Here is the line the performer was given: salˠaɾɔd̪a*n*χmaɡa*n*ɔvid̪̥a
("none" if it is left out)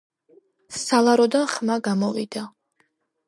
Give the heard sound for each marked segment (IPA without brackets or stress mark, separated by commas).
n, m